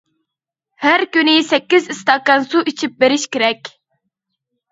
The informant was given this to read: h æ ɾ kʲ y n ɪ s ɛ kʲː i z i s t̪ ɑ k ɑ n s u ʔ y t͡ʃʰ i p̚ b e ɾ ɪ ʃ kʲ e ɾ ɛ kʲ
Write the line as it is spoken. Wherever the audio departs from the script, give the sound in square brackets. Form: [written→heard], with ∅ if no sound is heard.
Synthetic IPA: h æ ɾ kʲ y n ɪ s ɛ kʲː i z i s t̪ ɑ k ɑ n s u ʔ [y→i] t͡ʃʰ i p̚ b e ɾ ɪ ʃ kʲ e ɾ ɛ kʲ